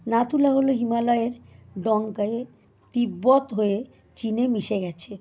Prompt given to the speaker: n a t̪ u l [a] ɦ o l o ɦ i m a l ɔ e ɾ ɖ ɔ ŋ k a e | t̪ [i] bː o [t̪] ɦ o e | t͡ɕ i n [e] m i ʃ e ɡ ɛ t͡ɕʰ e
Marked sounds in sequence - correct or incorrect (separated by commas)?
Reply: correct, correct, correct, correct